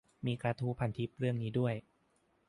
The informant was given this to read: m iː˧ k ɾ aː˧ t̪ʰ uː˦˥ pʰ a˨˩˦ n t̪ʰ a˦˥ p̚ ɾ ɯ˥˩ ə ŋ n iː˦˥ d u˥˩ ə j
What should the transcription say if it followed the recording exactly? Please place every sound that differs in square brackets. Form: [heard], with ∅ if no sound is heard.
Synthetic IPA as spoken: m iː˧ k ɾ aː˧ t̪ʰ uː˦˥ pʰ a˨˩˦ n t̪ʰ [i˦˥] p̚ ɾ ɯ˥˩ ə ŋ n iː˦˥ d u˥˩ ə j